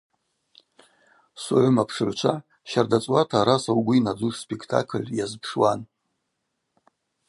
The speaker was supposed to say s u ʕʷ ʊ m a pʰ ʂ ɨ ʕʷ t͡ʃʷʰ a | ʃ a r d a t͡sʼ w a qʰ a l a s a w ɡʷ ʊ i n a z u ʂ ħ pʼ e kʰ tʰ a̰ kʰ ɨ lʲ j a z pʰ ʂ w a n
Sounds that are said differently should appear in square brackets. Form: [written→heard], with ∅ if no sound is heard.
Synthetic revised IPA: s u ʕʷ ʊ m a pʰ ʂ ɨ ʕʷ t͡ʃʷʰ a | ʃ a r d a t͡sʼ w a [qʰ→tʰ] a [l→ɾ] a s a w ɡʷ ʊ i n a [z→d͡z] u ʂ [ħ→s] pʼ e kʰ tʰ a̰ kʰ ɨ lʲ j a z pʰ ʂ w a n